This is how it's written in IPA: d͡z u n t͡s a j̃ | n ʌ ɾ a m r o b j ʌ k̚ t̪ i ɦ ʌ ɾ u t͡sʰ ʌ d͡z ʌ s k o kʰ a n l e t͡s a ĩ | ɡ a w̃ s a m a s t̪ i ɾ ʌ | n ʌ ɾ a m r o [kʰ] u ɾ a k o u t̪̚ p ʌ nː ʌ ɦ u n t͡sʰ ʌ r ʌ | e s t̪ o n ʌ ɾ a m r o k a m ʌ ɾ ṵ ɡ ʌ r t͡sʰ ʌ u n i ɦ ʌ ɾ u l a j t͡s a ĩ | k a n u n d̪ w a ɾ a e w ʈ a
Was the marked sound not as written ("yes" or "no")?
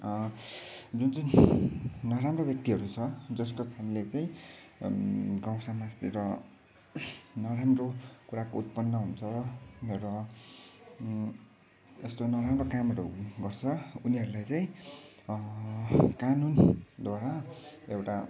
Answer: yes